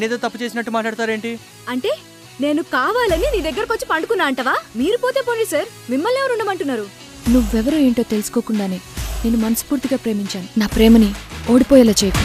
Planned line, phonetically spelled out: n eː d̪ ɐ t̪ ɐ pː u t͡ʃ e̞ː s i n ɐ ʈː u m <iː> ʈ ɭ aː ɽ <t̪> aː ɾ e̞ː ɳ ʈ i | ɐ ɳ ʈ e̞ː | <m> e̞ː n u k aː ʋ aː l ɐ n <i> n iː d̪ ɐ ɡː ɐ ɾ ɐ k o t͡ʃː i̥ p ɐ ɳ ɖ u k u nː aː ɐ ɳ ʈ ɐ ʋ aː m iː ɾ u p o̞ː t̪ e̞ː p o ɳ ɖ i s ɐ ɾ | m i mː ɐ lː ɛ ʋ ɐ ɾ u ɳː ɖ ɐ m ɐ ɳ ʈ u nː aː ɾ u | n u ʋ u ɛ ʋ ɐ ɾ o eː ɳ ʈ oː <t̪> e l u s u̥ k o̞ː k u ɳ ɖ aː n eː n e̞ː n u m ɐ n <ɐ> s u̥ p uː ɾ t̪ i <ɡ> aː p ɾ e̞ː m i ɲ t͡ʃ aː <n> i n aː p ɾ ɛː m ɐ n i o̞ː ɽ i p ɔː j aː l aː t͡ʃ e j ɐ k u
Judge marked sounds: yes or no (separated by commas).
no, yes, no, yes, yes, yes, yes, yes